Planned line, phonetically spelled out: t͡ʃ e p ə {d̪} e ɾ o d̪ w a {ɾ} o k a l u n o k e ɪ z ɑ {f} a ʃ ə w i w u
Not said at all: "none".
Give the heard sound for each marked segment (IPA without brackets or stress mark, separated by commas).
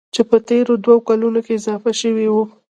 t̪, none, f